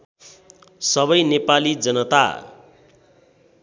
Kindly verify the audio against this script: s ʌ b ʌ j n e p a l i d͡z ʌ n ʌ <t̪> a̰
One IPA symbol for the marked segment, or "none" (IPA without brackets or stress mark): t̪